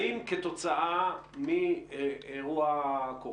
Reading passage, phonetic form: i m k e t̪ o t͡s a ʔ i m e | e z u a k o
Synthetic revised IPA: i m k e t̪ o t͡s a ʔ a m i | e ʁ u a k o